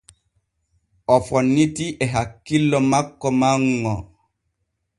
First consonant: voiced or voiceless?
voiceless